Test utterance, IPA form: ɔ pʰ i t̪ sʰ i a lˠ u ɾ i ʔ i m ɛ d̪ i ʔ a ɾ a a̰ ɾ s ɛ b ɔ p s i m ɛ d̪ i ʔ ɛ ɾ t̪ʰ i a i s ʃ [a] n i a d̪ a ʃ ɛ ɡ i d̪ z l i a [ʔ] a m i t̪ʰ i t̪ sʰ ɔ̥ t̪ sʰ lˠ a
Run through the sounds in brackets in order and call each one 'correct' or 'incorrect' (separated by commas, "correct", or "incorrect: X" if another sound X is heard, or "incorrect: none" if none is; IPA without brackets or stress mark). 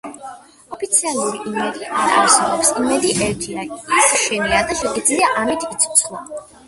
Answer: incorrect: ɛ, correct